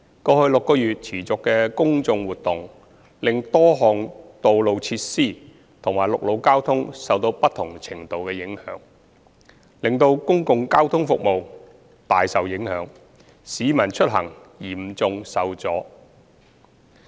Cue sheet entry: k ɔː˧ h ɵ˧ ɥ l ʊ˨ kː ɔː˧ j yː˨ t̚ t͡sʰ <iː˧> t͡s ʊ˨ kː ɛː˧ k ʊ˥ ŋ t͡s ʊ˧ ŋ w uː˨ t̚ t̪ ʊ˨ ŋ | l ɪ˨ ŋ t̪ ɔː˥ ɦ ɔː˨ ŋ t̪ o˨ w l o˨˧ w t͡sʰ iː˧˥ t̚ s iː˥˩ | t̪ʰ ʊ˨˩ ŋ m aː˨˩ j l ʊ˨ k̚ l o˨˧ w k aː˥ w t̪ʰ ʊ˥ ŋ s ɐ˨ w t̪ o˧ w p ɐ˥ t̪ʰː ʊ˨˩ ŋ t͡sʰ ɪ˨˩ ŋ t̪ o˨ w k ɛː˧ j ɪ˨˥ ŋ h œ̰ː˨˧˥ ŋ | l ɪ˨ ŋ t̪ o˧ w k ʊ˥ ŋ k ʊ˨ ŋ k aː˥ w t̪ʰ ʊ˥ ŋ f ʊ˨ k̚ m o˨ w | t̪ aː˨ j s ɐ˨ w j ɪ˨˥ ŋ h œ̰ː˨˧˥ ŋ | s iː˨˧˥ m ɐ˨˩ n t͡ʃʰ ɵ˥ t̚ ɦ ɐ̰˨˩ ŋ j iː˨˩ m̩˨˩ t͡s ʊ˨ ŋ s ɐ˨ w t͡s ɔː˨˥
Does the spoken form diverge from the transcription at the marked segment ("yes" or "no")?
yes